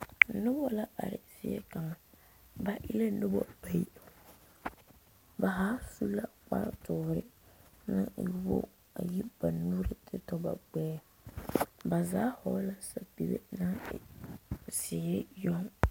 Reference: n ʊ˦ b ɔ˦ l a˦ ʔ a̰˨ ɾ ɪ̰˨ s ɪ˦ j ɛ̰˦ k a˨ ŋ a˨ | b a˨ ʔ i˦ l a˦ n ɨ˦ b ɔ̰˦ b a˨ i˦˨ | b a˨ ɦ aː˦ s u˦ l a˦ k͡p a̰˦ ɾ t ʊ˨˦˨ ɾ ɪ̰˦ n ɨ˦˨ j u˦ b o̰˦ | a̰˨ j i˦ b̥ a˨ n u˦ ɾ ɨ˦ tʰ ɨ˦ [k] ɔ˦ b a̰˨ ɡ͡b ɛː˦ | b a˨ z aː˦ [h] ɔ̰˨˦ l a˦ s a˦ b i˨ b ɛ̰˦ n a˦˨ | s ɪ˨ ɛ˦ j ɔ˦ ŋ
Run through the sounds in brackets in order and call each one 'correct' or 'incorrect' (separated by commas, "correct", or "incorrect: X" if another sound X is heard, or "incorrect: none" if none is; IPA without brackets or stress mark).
incorrect: t, correct